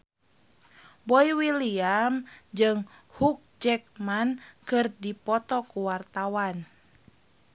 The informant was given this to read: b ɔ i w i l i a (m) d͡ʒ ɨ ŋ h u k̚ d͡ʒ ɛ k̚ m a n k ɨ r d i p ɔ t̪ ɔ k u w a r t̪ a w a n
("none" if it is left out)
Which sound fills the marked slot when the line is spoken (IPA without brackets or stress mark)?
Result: m